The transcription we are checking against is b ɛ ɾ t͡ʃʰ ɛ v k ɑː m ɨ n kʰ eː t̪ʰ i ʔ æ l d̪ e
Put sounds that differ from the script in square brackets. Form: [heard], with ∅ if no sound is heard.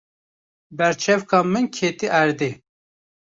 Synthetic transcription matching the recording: b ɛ ɾ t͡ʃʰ ɛ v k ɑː m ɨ n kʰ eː [t̪] i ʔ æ [ɾ] d̪ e